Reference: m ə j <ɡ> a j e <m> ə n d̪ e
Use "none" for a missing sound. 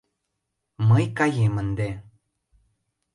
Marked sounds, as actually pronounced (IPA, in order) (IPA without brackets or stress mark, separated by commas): k, m